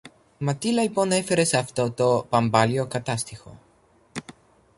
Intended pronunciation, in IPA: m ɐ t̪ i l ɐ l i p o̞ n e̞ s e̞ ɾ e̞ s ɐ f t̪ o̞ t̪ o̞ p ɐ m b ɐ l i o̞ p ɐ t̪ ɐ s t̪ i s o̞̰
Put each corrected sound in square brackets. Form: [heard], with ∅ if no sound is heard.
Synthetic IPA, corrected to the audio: m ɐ t̪ i l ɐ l i p o̞ n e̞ [f] e̞ ɾ e̞ s ɐ f t̪ o̞ t̪ o̞ p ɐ m b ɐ l i o̞ [k] ɐ t̪ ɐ s t̪ i [x] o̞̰